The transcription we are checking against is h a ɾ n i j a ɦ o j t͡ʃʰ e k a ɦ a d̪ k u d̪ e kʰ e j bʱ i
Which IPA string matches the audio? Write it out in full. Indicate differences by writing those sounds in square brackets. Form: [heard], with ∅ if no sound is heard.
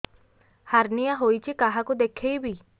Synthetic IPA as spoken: h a ɾ n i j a ɦ o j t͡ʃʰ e k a ɦ a [∅] k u d̪ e kʰ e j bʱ i